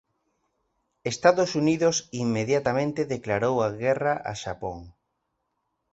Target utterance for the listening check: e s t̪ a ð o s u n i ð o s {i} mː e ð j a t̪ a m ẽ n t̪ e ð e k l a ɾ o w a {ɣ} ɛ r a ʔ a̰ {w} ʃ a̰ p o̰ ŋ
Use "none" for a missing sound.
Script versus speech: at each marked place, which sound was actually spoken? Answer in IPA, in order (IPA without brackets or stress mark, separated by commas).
i, ɣ, none